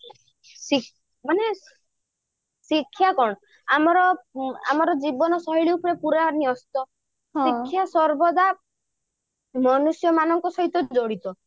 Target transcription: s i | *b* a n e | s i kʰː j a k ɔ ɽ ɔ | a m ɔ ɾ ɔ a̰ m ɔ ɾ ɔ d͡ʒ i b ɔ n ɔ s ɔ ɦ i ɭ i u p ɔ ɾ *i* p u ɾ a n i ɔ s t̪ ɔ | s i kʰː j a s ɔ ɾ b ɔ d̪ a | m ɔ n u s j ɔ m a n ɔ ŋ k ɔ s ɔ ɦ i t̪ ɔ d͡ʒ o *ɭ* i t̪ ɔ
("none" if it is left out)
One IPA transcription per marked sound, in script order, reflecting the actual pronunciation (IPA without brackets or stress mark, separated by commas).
m, e, ɽ